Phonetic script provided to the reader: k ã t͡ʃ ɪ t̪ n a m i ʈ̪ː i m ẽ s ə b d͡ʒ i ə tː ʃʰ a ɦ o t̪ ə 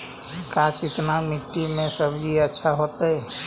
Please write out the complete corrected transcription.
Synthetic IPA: k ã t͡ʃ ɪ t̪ n a m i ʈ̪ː i m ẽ s ə b d͡ʒ i ə tː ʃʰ a ɦ o t̪ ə